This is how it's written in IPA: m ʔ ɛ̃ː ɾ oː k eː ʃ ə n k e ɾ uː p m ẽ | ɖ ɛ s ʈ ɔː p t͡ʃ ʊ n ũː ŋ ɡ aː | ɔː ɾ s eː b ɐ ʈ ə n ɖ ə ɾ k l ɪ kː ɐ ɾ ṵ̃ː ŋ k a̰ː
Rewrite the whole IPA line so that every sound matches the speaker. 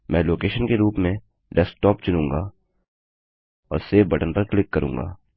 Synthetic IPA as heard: m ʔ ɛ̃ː l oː k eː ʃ ə n k e ɾ uː p m ẽ | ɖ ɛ s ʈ ɔː p t͡ʃ ʊ n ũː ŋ ɡ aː | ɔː ɾ s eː b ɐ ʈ ə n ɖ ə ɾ k l ɪ kː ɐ ɾ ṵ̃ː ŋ ɡ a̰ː